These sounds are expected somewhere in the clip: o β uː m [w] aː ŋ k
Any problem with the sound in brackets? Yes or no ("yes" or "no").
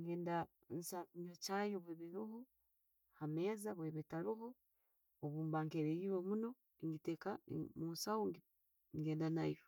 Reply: yes